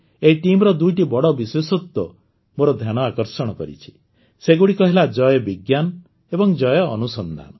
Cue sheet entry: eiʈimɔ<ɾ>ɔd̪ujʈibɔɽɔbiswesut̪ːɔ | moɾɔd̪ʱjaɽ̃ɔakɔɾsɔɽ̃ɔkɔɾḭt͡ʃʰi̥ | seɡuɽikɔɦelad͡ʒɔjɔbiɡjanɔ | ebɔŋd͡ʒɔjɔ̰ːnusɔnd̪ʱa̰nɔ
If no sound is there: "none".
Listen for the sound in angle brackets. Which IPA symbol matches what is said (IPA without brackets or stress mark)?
ɾ